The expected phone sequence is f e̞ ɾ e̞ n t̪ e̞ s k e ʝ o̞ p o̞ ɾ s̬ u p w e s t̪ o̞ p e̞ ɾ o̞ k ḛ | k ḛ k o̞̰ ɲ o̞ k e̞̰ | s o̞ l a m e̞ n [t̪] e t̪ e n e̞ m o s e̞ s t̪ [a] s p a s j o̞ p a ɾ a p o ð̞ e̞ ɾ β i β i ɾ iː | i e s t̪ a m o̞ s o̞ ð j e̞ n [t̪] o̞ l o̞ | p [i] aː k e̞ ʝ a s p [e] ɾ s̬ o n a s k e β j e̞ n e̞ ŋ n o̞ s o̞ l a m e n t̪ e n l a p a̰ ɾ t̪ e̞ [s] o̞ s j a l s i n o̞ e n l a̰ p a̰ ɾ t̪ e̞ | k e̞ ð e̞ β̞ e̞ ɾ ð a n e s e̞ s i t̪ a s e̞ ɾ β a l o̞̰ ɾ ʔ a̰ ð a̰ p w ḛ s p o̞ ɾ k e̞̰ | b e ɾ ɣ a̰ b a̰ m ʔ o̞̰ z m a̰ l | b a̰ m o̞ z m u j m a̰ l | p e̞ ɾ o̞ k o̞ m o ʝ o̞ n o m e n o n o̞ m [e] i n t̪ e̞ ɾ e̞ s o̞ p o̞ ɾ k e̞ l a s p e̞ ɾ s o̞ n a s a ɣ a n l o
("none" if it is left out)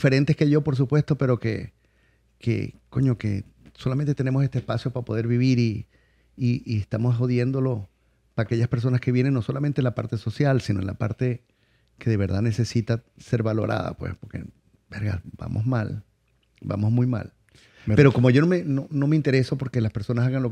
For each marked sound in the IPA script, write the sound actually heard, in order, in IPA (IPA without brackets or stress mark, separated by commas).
t̪, e, d̪, a, e, s, e